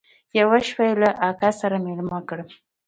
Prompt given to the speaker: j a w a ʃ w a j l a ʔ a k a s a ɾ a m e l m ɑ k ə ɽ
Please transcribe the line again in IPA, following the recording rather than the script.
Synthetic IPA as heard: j a w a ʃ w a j l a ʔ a k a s a ɾ a m e l m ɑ k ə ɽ